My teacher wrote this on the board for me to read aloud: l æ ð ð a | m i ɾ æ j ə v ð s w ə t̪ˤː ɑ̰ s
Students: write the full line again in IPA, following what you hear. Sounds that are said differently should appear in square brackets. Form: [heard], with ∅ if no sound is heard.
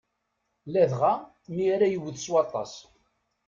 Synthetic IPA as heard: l æ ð [ʁ] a | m i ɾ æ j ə [w] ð s w [ɑ] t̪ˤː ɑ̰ s